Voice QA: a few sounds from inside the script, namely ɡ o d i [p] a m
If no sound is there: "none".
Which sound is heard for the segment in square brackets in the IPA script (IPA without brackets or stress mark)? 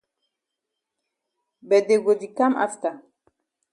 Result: k